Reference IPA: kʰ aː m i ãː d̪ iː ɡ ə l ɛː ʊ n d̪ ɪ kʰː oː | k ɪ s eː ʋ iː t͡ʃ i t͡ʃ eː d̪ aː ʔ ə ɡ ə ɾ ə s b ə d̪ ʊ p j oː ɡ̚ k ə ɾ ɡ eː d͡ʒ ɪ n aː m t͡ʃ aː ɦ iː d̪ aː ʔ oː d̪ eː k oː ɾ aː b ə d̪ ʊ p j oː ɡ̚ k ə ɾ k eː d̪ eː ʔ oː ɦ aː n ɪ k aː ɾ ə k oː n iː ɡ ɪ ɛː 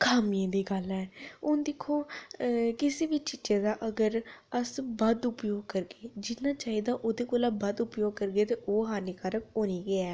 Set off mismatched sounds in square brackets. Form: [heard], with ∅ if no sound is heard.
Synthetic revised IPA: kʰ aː m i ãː d̪ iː ɡ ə l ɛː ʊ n d̪ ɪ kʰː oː | k ɪ s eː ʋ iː t͡ʃ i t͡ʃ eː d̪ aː ʔ ə ɡ ə ɾ ə s b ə d̪ ʊ p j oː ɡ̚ k ə ɾ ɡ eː d͡ʒ ɪ n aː [∅] t͡ʃ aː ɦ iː d̪ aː ʔ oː d̪ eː k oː [l] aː b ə d̪ ʊ p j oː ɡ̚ k ə ɾ [ɡ] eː [t̪] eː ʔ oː ɦ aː n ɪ k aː ɾ ə k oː n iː ɡ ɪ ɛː